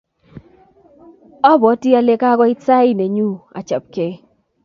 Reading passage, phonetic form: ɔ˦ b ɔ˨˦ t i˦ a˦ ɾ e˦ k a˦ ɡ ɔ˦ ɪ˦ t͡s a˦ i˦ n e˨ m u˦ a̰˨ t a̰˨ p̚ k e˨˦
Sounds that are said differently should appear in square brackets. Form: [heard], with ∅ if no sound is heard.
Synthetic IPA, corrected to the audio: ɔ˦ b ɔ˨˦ t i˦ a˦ [l] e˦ k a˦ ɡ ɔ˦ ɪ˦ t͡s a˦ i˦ n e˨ [ɲ] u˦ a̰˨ [t͡ʃ] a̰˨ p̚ k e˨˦

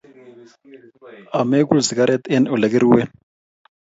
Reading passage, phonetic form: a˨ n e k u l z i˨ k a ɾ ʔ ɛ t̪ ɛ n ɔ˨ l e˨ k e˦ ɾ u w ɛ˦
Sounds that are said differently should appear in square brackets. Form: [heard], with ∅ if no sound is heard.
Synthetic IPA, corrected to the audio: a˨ [m] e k u l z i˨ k a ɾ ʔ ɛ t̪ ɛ n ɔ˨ l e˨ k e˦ ɾ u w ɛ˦

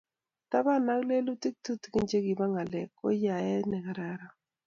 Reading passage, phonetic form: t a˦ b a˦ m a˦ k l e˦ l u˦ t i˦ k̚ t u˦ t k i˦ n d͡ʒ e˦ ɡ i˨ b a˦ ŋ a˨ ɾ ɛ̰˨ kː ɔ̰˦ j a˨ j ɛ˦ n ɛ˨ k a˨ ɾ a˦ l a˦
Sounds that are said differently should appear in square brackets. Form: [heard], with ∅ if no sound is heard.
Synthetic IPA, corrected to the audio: t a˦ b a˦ [n] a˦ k l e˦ l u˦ t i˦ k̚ t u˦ t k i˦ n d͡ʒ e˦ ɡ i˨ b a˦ ŋ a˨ [l] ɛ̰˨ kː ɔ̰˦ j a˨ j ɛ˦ n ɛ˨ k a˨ ɾ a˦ [ɾ] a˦

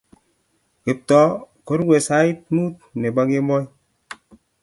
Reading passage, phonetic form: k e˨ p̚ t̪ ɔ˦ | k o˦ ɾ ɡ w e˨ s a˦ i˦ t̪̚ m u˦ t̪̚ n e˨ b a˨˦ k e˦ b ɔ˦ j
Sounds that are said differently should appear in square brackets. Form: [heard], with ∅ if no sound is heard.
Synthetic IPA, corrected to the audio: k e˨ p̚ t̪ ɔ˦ | k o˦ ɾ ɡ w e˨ s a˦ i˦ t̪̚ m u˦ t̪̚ n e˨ b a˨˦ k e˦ [m] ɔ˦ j

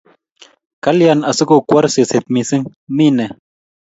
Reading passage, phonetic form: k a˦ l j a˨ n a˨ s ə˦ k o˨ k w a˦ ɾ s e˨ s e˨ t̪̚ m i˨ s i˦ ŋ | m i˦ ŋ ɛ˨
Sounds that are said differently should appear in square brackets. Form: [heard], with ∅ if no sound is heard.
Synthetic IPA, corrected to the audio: k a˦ l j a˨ n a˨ s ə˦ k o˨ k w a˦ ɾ s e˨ s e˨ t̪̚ m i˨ s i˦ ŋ | m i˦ [n] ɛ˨

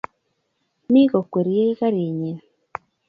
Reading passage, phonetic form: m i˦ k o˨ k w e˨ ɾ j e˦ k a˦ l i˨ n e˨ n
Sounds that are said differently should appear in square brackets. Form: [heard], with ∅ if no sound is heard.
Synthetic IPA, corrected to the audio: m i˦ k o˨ k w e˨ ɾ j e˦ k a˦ [ɾ] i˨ [ɲ] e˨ n

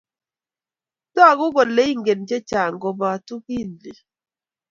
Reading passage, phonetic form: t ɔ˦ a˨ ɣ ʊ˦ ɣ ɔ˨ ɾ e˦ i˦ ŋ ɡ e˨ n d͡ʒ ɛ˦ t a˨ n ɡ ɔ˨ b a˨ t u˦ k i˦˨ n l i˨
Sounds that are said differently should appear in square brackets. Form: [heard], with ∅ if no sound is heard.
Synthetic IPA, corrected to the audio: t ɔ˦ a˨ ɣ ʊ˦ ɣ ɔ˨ [l] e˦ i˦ ŋ ɡ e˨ n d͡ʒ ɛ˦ [t͡ʃ] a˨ [ŋ] ɡ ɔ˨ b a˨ t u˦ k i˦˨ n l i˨

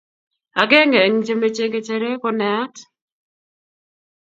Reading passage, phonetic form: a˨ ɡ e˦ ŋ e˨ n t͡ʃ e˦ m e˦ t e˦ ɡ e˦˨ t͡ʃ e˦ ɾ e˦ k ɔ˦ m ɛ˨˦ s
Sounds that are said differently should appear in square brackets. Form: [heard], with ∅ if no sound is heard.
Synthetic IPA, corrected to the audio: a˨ ɡ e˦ ŋ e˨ [ŋ] t͡ʃ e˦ m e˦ [t͡ʃ] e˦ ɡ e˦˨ t͡ʃ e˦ ɾ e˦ k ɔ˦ [n] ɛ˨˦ [t]

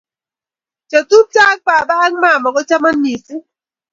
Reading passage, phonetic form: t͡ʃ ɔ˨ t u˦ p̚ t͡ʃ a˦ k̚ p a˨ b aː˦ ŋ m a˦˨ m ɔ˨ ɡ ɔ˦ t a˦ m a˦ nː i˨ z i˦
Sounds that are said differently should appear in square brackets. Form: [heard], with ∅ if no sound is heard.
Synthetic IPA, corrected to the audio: t͡ʃ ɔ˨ t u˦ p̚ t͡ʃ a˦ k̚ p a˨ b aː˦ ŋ m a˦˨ m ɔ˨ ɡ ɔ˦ [t͡ʃ] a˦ m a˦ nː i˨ [s] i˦

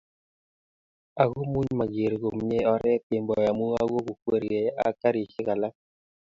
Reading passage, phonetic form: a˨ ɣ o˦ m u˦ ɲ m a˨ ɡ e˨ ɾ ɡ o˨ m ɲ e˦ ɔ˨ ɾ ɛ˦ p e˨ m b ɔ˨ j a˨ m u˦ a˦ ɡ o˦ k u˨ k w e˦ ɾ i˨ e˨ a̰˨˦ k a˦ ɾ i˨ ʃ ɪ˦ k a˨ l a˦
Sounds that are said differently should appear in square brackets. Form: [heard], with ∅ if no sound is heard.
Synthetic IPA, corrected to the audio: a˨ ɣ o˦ m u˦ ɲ m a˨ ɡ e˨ ɾ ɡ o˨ m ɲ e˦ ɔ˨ ɾ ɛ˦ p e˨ m b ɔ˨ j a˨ m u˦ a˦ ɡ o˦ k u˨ k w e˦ ɾ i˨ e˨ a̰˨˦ k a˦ ɾ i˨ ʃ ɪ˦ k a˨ l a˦

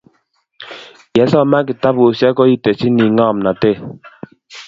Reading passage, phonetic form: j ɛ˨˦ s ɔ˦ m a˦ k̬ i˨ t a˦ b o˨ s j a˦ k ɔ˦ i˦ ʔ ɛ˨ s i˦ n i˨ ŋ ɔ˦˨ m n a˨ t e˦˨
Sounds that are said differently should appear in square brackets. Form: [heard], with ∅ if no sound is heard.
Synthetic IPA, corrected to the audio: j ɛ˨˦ s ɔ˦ m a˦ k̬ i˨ t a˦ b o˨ s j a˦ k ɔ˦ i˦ [t] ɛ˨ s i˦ n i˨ ŋ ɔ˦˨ m n a˨ t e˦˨

